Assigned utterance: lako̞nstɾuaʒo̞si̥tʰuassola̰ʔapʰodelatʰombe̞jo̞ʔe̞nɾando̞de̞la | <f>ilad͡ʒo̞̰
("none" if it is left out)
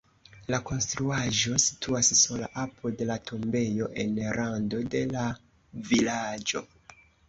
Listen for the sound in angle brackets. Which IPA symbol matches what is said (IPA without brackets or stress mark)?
v